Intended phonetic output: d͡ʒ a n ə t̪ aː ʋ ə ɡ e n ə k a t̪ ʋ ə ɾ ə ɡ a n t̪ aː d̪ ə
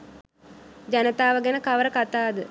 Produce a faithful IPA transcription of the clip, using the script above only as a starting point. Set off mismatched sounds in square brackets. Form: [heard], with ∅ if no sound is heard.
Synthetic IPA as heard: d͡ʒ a n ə t̪ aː ʋ ə ɡ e n ə k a [∅] ʋ ə ɾ ə [k] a [∅] t̪ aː d̪ ə